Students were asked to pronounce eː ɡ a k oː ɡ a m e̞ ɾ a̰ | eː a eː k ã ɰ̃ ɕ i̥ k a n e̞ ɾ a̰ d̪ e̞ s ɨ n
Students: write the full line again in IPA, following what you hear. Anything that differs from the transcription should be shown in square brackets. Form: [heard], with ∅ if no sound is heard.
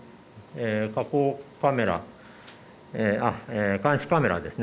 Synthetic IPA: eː [k] a k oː [k] a m e̞ ɾ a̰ | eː a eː k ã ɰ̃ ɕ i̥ k a [m] e̞ ɾ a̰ d̪ e̞ s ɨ n